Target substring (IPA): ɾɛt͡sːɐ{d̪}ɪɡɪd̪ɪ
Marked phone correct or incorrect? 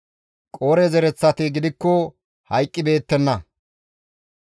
incorrect